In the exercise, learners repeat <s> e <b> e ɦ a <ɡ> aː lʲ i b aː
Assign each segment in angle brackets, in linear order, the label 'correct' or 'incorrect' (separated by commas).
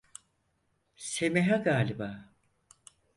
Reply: correct, incorrect, correct